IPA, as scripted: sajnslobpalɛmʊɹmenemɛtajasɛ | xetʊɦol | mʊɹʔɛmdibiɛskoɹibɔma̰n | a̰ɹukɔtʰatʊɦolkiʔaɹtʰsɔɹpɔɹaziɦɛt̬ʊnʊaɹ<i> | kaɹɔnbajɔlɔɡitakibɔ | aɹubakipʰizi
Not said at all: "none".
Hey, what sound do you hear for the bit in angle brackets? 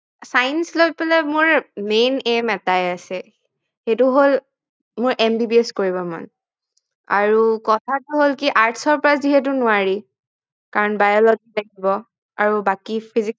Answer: i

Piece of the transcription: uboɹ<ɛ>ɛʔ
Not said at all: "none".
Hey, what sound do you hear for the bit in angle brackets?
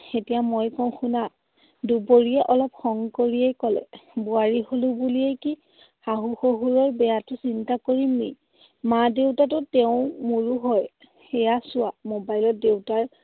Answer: i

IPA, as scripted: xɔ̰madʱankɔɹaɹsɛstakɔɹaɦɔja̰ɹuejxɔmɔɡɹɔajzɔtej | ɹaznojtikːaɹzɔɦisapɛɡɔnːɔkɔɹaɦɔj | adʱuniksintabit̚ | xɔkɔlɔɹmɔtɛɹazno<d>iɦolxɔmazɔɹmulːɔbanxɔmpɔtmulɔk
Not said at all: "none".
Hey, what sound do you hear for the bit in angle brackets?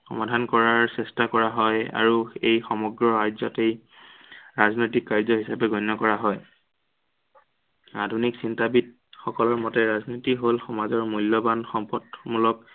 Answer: t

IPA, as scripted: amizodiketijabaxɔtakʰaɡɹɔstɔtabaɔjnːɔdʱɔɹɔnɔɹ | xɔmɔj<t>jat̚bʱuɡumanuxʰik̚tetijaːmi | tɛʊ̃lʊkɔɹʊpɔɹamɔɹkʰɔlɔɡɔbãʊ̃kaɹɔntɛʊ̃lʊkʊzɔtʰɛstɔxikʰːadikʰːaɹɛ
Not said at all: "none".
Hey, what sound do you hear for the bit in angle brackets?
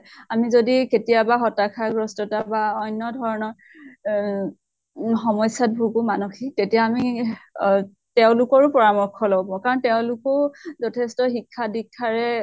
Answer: s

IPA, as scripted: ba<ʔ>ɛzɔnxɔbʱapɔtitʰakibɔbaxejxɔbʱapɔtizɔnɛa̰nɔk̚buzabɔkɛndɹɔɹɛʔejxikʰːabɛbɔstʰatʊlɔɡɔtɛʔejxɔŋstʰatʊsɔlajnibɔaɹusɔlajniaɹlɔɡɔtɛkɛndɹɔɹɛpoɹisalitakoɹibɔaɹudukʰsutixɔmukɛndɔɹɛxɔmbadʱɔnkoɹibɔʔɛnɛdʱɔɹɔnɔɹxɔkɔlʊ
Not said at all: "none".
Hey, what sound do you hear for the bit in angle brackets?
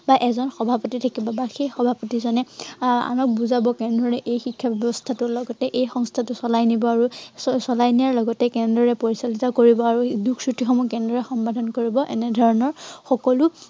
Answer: ʔ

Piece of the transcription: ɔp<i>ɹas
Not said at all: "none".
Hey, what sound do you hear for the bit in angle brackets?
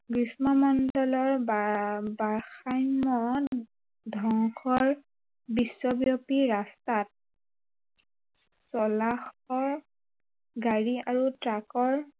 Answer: i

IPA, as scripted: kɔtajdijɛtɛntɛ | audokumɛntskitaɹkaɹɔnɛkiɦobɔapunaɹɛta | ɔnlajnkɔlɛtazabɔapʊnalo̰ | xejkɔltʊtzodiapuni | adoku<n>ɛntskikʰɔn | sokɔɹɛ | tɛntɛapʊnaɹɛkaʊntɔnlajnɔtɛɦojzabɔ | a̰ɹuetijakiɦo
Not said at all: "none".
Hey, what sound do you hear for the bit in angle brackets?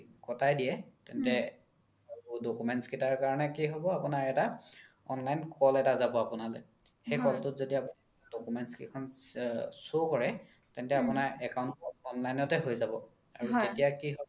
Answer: m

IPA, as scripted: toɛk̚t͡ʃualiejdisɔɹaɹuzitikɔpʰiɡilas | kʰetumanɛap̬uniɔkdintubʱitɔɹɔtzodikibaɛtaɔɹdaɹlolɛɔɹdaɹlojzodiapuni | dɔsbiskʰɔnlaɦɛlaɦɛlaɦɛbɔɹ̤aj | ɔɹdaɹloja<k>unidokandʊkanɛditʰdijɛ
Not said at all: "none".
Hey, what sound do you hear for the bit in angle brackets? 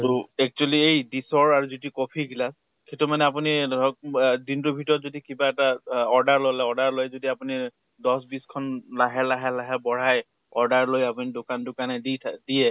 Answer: p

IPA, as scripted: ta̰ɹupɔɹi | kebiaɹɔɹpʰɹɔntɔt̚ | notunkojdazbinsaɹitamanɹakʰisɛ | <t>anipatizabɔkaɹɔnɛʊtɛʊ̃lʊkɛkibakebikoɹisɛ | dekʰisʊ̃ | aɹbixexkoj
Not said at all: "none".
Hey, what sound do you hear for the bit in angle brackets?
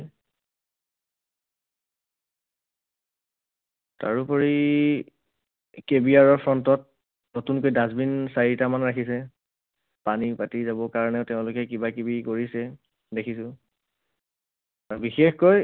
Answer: p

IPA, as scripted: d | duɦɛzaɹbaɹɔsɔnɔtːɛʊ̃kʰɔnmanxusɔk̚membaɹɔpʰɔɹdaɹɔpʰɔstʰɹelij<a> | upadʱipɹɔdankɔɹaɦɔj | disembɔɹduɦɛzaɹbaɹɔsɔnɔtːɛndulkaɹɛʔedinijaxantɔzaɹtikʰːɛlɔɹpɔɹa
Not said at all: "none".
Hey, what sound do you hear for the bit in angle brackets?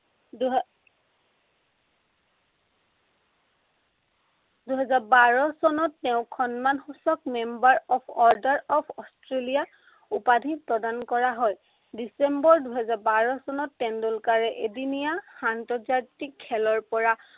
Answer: a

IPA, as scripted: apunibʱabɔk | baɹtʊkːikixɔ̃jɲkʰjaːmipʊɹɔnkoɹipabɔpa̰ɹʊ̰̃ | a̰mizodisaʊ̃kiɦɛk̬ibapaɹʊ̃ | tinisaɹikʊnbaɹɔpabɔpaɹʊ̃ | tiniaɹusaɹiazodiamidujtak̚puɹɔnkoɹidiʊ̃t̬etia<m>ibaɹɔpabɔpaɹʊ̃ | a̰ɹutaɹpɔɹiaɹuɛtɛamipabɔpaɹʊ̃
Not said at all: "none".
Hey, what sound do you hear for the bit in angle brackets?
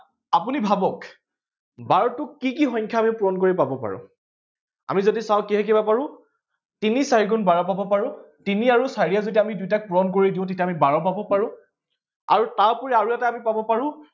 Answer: m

